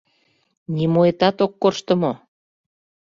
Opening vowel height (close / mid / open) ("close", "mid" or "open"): close